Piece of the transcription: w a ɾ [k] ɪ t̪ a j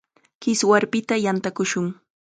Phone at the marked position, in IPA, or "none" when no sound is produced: p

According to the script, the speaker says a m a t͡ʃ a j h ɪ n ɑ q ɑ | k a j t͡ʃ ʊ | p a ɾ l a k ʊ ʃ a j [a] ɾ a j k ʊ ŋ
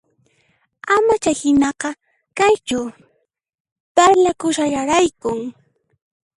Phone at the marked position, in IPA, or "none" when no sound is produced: a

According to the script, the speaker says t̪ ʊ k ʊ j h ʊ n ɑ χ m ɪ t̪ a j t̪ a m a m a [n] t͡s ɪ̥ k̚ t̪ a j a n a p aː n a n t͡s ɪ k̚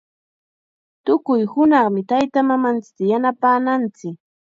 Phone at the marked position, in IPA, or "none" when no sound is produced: n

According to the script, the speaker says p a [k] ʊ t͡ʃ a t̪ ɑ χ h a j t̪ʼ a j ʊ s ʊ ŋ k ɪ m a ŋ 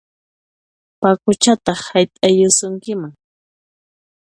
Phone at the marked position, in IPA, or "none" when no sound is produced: k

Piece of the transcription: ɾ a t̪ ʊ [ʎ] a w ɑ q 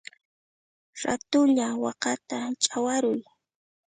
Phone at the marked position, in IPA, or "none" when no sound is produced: ʎ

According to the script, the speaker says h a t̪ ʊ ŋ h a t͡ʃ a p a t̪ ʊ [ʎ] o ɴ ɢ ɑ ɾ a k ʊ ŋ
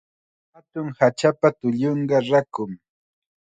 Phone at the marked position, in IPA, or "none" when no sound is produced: ʎ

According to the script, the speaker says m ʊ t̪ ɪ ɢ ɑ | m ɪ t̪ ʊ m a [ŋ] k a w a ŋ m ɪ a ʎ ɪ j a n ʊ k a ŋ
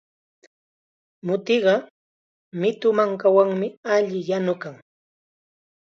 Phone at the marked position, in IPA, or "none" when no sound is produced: ŋ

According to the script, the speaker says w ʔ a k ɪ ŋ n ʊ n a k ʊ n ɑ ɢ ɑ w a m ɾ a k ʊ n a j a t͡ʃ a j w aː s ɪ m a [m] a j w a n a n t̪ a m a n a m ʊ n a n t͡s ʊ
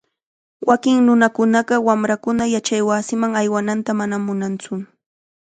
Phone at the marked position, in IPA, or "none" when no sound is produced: ŋ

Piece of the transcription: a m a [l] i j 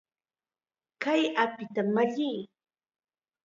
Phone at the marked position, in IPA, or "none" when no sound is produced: ʎ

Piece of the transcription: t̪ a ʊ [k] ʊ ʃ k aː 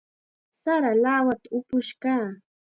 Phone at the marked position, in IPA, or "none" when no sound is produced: p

